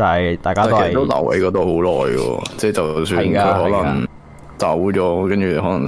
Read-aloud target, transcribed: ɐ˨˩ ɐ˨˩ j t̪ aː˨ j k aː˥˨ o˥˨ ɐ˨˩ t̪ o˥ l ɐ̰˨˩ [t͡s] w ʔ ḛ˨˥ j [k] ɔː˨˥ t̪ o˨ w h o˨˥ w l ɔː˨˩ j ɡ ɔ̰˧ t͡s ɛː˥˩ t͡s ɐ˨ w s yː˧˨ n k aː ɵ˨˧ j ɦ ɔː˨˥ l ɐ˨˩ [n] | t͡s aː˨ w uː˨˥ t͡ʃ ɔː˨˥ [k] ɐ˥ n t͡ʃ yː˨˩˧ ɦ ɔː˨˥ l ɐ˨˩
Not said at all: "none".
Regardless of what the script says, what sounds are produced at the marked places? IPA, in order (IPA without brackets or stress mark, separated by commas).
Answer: none, k, ŋ, k